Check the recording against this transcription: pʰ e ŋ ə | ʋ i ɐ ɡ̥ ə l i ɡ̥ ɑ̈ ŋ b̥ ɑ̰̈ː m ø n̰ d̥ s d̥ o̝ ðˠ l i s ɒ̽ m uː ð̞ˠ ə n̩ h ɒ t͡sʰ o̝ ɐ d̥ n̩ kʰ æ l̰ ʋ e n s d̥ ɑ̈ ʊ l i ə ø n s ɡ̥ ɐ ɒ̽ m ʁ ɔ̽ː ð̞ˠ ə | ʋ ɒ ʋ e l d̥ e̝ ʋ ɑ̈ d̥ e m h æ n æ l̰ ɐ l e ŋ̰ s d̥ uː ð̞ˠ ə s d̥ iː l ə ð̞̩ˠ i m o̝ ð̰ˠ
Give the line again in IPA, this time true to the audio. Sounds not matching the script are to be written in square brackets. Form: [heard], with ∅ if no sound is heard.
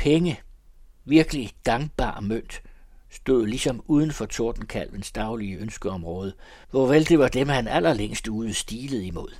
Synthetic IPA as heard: pʰ e ŋ ə | ʋ i ɐ ɡ̥ ə l i ɡ̥ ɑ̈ ŋ b̥ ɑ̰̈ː m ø n̰ d̥ s d̥ o̝ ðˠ l i s ɒ̽ m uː ð̞ˠ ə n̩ [f] ɒ t͡sʰ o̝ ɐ d̥ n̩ kʰ æ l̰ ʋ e n s d̥ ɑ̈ ʊ l i ə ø n s ɡ̥ [ə] ɒ̽ m ʁ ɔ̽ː ð̞ˠ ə | ʋ ɒ ʋ e l d̥ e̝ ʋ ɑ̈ d̥ e m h æ n æ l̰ ɐ l e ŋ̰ s d̥ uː ð̞ˠ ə s d̥ iː l ə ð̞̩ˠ i m o̝ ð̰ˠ